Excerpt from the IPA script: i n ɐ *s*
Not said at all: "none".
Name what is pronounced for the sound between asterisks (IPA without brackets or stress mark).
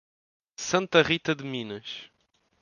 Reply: ʃ